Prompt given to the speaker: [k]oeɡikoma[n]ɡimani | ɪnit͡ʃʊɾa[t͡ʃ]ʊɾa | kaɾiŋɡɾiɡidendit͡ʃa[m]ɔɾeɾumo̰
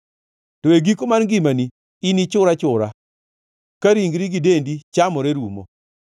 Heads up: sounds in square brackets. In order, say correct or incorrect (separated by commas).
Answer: incorrect, correct, correct, correct